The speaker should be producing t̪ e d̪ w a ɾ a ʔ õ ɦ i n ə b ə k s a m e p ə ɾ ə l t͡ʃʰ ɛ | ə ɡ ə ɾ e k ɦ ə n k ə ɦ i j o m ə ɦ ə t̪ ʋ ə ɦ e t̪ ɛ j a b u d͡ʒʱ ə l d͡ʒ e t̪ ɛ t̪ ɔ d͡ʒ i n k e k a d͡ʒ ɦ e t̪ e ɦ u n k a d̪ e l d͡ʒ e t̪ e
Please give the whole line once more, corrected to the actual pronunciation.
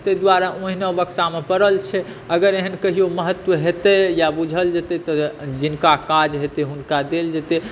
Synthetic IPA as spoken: t̪ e d̪ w a ɾ a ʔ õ ɦ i n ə b ə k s a m e p ə ɾ ə l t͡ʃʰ ɛ | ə ɡ ə ɾ e ɦ ə n k ə ɦ i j o m ə ɦ ə t̪ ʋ ə ɦ e t̪ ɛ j a b u d͡ʒʱ ə l d͡ʒ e t̪ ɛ t̪ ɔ d͡ʒ i n k a k a d͡ʒ ɦ e t̪ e ɦ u n k a d̪ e l d͡ʒ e t̪ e